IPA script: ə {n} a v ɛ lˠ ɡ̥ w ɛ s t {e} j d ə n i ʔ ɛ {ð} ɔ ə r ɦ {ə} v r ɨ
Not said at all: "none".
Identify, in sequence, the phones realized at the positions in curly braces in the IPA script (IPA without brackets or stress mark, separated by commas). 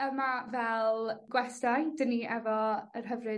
m, a, v, ə